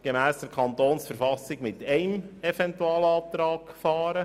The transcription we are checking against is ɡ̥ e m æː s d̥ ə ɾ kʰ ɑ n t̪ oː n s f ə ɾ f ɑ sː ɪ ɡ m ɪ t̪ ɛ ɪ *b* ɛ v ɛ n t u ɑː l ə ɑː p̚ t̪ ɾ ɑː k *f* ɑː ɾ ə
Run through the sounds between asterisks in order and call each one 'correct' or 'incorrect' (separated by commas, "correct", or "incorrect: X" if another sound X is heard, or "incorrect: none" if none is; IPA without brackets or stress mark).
incorrect: m, correct